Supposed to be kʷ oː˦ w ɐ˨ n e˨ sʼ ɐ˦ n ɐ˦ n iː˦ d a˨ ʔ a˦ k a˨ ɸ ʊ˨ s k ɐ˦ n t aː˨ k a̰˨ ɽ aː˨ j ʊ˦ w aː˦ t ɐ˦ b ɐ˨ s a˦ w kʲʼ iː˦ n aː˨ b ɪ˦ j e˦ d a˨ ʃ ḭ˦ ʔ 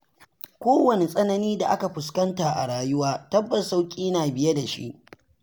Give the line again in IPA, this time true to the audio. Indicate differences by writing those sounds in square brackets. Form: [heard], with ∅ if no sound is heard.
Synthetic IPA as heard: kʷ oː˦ w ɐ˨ n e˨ sʼ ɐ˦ n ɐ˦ n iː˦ d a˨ ʔ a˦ k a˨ ɸ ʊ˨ s k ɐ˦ n t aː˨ [ʔ] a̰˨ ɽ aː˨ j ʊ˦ w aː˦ t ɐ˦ [bː] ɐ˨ s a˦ w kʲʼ iː˦ n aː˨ b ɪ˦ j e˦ d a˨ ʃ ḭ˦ ʔ

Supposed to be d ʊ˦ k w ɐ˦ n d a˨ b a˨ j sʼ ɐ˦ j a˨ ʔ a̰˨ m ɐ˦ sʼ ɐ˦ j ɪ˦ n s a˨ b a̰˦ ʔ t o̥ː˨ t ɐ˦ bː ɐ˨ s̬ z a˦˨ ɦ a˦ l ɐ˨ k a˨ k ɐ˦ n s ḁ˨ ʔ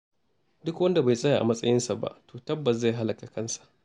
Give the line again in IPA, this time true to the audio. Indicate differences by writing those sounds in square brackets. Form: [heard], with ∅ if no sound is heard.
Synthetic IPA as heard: d ʊ˦ k w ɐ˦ n d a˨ b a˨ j sʼ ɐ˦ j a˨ ʔ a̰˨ m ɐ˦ sʼ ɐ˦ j ɪ˦ n s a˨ b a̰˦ ʔ t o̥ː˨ t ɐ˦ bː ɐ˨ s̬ z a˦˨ ɦ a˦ l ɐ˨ k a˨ k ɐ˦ n s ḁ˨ ʔ

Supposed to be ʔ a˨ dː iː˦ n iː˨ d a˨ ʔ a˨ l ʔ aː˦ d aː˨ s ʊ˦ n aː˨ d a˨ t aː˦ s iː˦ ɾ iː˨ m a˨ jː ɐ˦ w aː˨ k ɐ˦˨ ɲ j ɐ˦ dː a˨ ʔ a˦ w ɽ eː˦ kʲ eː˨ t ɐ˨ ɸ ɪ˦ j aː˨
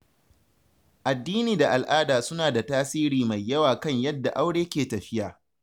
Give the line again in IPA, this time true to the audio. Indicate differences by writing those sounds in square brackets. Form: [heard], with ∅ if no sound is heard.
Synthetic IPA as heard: ʔ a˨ dː iː˦ n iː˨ d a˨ ʔ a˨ l ʔ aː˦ d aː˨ s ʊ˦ n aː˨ d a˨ t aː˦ s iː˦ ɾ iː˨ m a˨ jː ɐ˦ w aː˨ k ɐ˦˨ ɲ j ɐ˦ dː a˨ ʔ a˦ w ɽ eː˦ kʲ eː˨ t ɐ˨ ɸ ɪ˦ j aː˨

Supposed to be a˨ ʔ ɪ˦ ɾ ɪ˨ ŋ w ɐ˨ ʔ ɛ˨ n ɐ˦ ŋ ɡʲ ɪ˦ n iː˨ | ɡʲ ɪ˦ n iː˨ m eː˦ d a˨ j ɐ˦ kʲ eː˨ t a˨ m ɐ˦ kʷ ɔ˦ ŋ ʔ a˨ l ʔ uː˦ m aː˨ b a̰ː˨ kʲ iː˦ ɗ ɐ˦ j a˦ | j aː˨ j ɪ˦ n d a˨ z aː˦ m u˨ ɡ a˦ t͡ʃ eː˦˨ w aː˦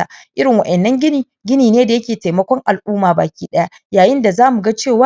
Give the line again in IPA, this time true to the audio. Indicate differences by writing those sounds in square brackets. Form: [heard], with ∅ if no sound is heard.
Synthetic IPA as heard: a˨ ʔ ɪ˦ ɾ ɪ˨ ŋ w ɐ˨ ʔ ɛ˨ [nː] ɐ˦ ŋ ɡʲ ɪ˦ n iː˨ | ɡʲ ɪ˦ n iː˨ [n] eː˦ d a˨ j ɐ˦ kʲ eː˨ t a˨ m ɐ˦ kʷ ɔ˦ ŋ ʔ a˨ l ʔ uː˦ m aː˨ b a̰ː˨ kʲ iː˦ ɗ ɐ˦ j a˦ | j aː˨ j ɪ˦ n d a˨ z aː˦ m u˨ ɡ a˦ t͡ʃ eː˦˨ w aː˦

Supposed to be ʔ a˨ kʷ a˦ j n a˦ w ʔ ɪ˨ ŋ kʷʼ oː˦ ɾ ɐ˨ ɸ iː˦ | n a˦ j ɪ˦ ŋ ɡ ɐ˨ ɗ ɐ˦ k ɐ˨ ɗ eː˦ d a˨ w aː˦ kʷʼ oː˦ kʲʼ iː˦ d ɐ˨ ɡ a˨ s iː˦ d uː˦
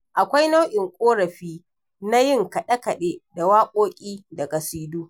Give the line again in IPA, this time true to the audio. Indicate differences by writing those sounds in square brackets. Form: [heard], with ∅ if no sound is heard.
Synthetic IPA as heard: ʔ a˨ kʷ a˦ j n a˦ w ʔ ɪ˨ ŋ kʷʼ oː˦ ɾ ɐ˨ ɸ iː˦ | n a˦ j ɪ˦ ŋ [k] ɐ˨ ɗ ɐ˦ k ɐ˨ ɗ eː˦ d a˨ w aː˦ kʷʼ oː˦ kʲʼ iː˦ d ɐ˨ ɡ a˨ s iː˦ d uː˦

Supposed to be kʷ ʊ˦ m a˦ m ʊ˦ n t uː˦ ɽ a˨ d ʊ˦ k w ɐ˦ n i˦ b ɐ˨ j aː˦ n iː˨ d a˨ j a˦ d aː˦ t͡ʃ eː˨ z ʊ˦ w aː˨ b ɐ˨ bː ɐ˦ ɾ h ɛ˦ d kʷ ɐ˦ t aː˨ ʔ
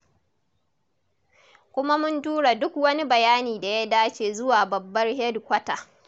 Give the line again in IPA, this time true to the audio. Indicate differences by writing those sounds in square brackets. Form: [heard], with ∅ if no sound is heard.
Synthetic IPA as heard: kʷ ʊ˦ m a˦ m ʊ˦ n t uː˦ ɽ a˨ d ʊ˦ k w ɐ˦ n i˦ b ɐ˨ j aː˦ n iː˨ d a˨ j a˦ d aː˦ t͡ʃ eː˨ z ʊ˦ w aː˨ b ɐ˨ bː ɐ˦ [r] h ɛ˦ d kʷ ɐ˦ t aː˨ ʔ

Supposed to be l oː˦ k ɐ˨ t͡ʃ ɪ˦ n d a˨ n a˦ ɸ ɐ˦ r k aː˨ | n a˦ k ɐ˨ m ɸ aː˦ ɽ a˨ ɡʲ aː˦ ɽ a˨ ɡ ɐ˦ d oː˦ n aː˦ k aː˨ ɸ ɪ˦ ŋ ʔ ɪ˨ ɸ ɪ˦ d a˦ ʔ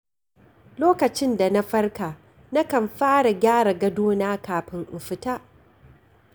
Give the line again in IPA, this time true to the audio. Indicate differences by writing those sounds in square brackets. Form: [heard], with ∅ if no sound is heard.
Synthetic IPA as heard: l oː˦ k ɐ˨ t͡ʃ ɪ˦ n d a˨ n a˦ ɸ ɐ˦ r k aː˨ | n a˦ k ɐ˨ m ɸ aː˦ ɽ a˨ ɡʲ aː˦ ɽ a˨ ɡ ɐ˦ d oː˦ n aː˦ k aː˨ ɸ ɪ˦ ŋ ʔ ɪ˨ ɸ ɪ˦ [t] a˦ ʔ

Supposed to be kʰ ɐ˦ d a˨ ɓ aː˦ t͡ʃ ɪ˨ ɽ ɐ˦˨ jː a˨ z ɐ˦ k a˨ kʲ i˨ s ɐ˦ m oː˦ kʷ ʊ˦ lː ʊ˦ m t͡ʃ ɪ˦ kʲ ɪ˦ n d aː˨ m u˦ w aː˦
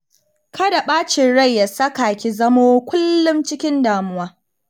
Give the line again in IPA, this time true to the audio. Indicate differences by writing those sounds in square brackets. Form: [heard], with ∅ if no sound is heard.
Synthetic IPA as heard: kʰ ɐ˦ d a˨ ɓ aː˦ t͡ʃ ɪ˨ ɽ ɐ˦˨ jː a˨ [s] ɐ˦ k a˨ kʲ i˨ [z] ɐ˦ m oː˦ kʷ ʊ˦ lː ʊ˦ m t͡ʃ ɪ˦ kʲ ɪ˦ n d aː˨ m [ʊ˦] w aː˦

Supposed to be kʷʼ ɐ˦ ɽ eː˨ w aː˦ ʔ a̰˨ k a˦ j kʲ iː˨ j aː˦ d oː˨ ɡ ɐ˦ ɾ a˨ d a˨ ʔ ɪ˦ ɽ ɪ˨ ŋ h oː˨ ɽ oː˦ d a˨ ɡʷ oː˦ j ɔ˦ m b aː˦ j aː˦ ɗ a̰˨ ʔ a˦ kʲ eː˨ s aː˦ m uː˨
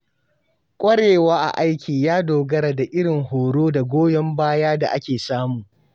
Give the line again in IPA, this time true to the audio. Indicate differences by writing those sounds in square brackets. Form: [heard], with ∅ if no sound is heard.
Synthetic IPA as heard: kʷʼ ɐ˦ ɽ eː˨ w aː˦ ʔ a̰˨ [ʔ] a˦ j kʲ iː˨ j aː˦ d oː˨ ɡ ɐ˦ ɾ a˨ d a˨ ʔ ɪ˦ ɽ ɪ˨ ŋ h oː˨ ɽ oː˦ d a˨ ɡʷ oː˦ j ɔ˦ m b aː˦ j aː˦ [d] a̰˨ ʔ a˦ kʲ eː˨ s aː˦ m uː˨

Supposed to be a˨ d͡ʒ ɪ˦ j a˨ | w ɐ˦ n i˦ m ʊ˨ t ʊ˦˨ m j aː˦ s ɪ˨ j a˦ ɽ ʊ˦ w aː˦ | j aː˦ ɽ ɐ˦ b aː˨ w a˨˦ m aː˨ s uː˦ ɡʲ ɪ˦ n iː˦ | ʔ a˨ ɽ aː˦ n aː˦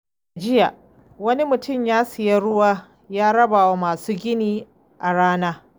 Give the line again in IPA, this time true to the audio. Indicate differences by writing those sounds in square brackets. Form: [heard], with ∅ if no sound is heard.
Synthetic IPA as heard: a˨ d͡ʒ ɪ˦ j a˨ | w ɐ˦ n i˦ m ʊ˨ t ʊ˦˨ m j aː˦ s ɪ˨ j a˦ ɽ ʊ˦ w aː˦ | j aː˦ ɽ ɐ˦ b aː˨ w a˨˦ m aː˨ s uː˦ ɡʲ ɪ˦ n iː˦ | ʔ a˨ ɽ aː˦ n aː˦

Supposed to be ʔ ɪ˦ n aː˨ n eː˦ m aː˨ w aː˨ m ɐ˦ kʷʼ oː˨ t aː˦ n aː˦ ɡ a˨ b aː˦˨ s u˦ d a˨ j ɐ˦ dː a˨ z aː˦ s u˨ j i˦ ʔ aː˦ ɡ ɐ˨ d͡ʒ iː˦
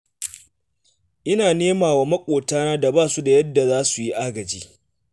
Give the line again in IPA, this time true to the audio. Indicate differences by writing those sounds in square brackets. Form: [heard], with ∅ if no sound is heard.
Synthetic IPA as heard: ʔ ɪ˦ n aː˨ n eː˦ m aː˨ w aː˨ m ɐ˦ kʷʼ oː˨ t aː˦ n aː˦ [d] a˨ b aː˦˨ s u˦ d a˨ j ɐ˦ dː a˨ z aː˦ s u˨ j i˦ ʔ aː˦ ɡ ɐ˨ d͡ʒ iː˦

